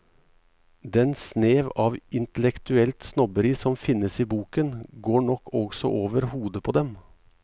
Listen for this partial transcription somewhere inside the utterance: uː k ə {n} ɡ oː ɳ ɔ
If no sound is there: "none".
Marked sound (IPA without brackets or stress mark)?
n